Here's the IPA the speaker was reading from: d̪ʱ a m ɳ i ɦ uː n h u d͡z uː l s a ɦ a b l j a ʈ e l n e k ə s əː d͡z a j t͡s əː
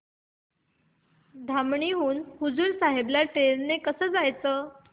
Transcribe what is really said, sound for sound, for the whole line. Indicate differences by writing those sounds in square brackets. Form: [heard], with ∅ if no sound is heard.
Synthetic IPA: d̪ʱ a m ɳ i ɦ uː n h u d͡z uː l s a ɦ [e] b l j a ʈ e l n e k ə s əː d͡z a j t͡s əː